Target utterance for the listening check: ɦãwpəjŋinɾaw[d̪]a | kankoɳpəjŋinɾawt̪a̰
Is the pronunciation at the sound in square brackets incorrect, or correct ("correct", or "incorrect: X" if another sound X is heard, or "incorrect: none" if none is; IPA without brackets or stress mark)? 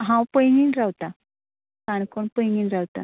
incorrect: t̪